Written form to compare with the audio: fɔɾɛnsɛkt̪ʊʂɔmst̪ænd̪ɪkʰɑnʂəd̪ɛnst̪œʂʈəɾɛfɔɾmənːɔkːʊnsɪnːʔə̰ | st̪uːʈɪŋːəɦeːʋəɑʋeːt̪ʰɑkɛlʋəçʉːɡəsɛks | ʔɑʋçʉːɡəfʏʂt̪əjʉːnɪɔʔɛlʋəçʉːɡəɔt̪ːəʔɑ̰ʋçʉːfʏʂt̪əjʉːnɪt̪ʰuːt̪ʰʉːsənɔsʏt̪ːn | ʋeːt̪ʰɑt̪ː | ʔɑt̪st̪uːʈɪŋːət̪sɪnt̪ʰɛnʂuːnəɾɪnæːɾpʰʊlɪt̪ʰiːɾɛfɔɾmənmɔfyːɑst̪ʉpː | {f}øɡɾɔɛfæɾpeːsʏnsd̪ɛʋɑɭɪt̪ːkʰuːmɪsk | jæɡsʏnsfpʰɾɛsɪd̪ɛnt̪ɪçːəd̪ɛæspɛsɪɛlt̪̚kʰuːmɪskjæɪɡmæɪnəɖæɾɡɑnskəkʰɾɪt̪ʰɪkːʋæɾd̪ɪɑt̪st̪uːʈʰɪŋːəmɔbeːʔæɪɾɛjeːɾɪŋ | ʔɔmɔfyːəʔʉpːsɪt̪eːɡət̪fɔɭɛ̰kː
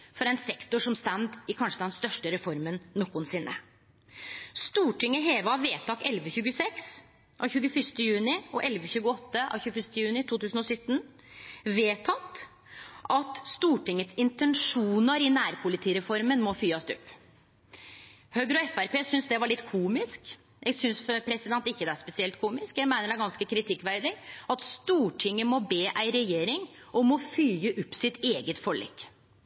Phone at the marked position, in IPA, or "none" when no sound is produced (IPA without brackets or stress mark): h